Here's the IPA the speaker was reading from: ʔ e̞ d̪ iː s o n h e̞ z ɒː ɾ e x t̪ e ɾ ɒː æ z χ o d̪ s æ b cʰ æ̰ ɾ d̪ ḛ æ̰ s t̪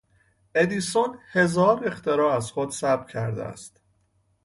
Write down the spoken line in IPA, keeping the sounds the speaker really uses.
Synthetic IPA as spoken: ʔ e̞ d̪ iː s o n h e̞ z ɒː ɾ e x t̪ e ɾ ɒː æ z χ o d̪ s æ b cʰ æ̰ ɾ d̪ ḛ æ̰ s t̪